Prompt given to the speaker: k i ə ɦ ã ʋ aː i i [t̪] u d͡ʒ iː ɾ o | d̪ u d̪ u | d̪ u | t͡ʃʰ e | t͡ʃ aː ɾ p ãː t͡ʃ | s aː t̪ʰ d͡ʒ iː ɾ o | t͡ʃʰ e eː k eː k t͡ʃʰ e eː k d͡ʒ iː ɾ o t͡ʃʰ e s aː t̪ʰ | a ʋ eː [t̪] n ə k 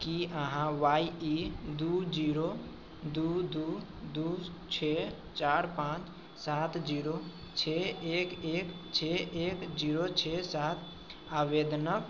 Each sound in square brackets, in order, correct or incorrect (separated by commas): incorrect, incorrect